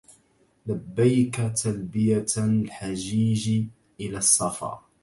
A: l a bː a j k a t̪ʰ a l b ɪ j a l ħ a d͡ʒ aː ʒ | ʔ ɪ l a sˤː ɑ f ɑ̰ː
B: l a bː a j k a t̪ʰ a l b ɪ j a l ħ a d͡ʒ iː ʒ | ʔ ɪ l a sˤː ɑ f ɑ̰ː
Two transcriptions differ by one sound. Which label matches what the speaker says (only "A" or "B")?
B